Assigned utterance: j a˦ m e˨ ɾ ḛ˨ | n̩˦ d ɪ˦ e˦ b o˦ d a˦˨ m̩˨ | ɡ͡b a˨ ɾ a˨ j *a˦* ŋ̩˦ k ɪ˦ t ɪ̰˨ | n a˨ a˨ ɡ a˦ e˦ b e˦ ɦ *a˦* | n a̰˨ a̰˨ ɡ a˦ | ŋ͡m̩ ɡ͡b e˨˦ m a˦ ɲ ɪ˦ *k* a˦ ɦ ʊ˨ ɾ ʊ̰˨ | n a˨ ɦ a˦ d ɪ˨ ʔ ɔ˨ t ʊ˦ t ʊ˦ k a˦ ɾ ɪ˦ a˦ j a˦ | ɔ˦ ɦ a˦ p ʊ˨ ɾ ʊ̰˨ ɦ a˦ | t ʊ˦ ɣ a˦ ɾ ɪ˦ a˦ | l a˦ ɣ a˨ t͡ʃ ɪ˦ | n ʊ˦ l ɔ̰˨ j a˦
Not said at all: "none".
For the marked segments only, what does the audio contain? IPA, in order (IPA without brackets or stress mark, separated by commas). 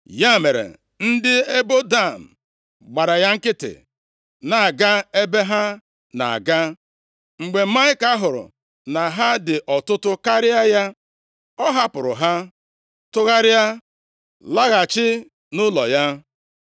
a˦, a˦, k